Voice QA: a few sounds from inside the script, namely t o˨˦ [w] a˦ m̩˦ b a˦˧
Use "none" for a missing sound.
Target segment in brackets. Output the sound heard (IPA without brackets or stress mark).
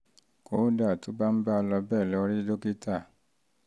b